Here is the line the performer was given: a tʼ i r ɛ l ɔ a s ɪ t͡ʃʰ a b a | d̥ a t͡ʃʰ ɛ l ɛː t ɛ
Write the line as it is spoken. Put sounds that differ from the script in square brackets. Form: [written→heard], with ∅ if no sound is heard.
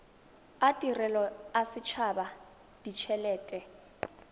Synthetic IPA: a tʼ i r ɛ l ɔ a s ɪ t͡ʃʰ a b a | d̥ [a→i] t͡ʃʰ ɛ l ɛː [t→tʼ] ɛ

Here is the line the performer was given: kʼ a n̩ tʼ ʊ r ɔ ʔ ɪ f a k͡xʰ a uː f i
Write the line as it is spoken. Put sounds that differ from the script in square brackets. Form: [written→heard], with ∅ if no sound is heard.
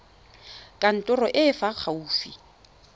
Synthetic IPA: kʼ a n̩ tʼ ʊ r ɔ ʔ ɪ f a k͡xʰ a uː f i

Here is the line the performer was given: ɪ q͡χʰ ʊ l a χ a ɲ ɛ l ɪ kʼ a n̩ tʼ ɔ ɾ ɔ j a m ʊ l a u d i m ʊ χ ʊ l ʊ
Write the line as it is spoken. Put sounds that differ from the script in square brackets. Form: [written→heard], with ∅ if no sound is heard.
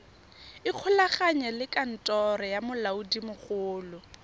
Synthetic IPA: ɪ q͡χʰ ʊ l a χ a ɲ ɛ l ɪ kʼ a n̩ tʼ ɔ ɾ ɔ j a m ʊ l a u d i m ʊ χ [ʊ→ʊː] l ʊ

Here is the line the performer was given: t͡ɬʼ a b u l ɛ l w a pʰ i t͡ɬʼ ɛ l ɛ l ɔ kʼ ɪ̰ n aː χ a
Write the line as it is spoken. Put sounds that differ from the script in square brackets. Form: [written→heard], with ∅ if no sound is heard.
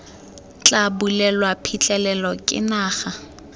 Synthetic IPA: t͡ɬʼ a b u l ɛ l w a pʰ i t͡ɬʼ ɛ l ɛ l ɔ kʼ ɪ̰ n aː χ a

